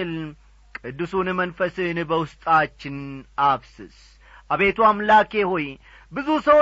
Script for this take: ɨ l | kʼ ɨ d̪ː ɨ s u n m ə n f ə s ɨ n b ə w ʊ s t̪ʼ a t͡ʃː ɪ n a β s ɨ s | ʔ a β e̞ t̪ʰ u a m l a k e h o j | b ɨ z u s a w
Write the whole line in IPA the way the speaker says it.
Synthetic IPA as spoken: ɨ l | kʼ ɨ d̪ː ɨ s u n m ə n f ə s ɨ n b ə w ʊ s t̪ʼ a t͡ʃː ɪ n a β s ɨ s | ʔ a β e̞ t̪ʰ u a m l a k e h o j | b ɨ z u s ə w